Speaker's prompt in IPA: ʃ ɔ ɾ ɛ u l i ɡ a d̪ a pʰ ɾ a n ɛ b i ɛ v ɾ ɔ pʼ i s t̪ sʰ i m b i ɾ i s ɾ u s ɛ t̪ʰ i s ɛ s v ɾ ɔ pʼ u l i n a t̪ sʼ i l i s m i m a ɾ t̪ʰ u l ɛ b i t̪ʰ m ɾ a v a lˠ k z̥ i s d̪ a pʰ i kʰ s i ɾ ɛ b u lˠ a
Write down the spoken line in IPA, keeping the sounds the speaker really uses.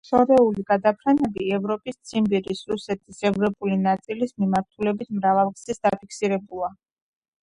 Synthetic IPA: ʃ ɔ ɾ ɛ u l i ɡ a d̪ a pʰ ɾ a n ɛ b i ɛ v ɾ ɔ pʼ i s t̪ sʰ i m b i ɾ i s ɾ u s ɛ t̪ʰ i s ɛ v ɾ ɔ pʼ u l i n a t̪ sʼ i l i s m i m a ɾ t̪ʰ u l ɛ b i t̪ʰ m ɾ a v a lˠ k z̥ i s d̪ a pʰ i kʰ s i ɾ ɛ b u lˠ a